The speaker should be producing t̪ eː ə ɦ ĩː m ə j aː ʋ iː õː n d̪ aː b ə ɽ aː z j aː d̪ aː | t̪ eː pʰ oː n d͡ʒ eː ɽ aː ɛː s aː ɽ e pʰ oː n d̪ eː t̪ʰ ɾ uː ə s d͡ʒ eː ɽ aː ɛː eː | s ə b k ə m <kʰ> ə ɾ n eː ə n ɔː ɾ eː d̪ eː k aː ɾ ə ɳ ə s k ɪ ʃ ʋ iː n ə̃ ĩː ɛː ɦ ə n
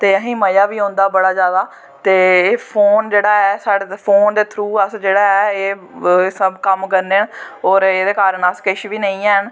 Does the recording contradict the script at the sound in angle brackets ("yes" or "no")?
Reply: yes